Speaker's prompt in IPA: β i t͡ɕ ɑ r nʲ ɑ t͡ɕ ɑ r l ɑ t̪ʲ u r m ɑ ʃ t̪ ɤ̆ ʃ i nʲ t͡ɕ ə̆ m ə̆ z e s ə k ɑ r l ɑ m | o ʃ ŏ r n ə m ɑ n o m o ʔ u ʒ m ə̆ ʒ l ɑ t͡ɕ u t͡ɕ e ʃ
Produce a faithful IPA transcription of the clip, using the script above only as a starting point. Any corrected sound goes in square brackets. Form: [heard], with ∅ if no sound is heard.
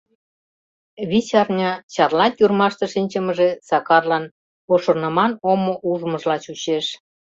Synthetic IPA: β i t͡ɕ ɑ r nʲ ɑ t͡ɕ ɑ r l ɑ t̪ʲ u r m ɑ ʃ t̪ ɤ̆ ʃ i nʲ t͡ɕ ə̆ m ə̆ [ʒ] e s [ɑ] k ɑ r l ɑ [n] | o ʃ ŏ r n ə m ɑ n o m o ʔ u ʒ m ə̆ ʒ l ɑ t͡ɕ u t͡ɕ e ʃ